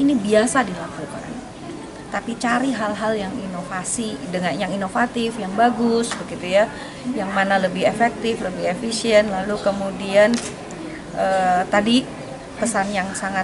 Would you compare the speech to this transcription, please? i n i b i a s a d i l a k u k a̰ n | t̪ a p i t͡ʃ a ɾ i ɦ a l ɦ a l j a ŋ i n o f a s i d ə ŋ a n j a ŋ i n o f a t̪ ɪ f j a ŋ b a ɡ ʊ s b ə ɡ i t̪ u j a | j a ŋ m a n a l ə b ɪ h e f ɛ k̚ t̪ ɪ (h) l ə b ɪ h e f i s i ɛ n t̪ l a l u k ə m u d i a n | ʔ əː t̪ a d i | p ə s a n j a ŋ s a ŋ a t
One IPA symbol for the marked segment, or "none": f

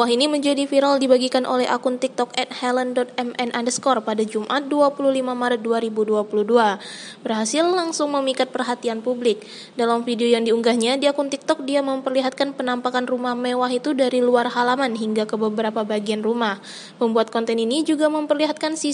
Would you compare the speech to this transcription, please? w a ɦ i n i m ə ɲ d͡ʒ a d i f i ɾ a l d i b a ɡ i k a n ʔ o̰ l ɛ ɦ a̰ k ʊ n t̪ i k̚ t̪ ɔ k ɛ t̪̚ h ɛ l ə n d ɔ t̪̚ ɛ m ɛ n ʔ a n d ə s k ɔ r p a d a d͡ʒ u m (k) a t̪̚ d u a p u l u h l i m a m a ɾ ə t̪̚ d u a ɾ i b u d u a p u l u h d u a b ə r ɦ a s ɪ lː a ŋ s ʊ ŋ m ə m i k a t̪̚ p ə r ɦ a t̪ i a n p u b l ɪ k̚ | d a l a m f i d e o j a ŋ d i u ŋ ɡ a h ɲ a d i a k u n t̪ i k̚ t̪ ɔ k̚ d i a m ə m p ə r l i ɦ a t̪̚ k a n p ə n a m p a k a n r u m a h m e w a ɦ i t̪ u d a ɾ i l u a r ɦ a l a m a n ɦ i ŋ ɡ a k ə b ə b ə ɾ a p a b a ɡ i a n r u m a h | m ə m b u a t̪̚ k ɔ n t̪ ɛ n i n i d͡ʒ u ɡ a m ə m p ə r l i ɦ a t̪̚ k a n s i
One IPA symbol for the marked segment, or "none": ʔ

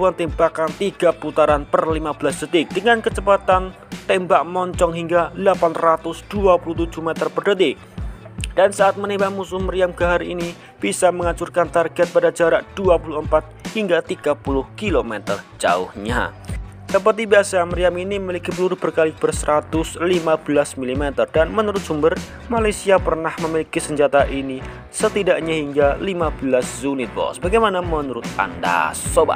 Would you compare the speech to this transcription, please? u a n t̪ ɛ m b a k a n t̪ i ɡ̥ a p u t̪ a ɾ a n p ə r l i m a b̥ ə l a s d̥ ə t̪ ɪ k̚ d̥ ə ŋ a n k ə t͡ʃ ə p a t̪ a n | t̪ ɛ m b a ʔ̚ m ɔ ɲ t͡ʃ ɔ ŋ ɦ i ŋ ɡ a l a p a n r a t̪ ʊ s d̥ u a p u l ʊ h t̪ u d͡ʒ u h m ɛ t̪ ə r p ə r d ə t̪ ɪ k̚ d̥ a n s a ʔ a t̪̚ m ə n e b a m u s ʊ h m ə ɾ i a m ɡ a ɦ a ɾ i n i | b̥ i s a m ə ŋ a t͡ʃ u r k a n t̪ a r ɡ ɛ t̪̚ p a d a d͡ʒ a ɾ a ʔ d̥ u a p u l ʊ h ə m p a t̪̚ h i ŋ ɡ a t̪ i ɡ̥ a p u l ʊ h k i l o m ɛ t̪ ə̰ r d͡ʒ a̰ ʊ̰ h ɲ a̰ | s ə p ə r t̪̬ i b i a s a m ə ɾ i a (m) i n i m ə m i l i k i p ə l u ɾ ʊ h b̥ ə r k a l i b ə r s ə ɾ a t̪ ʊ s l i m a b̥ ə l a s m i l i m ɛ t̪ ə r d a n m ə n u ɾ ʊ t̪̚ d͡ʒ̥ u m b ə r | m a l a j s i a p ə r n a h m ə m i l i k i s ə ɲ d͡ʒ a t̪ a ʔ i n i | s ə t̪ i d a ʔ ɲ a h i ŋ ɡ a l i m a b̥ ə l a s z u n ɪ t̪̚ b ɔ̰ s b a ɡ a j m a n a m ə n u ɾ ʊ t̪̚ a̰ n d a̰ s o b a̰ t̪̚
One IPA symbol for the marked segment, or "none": m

